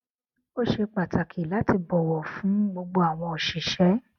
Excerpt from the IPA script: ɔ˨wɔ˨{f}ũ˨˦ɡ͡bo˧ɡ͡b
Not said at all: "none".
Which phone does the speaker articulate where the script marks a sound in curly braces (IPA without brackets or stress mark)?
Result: f